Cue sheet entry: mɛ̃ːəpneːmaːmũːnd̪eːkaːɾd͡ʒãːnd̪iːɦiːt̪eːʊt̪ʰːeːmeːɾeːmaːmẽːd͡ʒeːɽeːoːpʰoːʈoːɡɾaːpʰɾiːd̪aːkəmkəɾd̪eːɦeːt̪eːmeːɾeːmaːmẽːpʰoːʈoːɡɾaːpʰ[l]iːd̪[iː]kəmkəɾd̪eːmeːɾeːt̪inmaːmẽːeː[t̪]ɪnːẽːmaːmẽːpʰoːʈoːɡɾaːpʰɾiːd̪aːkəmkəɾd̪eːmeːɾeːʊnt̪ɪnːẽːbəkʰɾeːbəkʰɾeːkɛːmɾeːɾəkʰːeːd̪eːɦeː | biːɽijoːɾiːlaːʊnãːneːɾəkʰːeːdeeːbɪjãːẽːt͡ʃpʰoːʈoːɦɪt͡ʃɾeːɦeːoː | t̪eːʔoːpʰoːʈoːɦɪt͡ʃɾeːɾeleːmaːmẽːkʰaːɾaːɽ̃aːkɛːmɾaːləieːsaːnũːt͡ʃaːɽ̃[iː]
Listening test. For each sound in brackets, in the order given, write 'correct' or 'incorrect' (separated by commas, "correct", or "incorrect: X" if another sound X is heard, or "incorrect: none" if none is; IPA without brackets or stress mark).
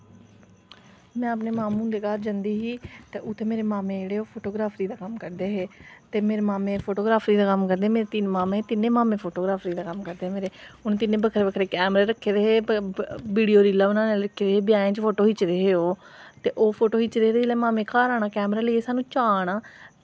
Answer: incorrect: ɾ, incorrect: aː, correct, incorrect: aː